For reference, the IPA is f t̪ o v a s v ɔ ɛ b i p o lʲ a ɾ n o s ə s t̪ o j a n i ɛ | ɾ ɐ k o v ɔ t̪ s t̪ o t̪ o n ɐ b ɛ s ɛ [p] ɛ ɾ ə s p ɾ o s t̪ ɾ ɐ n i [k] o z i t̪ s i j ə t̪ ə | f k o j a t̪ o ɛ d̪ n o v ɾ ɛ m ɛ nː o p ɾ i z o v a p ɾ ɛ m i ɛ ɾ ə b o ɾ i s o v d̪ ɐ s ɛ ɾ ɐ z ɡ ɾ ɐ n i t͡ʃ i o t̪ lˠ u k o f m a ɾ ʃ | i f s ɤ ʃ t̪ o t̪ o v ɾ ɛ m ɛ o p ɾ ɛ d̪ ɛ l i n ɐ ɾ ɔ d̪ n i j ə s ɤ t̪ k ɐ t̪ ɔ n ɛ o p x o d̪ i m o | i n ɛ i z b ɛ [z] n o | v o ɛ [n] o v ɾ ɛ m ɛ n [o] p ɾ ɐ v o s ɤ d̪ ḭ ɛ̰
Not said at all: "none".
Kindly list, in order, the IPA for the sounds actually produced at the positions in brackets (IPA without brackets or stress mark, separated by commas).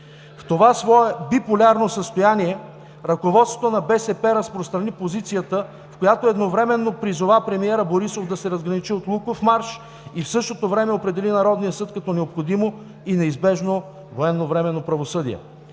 p, p, ʒ, nː, o